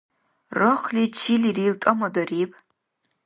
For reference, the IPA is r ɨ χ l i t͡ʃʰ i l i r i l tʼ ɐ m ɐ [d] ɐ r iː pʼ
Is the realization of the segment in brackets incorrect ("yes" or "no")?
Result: no